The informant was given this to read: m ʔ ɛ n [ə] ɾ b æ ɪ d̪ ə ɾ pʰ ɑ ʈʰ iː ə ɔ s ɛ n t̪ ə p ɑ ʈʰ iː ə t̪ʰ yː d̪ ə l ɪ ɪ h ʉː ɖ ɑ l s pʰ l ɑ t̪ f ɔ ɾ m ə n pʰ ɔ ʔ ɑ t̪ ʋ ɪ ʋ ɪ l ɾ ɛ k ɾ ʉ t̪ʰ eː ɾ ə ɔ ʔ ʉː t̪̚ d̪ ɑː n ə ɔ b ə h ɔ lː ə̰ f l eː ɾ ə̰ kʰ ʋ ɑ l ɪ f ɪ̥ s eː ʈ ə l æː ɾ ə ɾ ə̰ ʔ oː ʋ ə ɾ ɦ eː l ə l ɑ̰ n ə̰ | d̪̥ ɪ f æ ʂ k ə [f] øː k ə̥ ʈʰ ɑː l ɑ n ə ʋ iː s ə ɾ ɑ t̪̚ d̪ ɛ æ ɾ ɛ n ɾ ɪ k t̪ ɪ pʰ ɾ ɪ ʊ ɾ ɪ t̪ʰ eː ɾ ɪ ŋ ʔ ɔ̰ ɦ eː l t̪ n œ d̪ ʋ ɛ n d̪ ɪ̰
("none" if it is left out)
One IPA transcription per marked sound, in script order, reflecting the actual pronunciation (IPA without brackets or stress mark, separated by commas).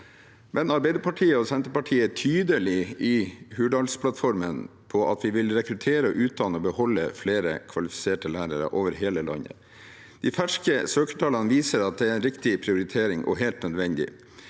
ɑ, s